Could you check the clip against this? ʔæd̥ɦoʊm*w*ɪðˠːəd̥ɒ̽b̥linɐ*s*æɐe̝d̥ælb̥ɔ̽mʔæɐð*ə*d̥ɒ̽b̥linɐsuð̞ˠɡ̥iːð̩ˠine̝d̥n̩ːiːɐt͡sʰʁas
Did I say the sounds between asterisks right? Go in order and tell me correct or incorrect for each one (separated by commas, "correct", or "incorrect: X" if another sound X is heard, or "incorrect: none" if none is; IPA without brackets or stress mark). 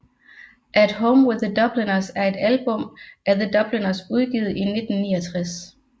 correct, correct, correct